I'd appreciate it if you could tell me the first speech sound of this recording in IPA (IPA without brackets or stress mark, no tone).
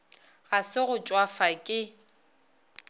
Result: ɣ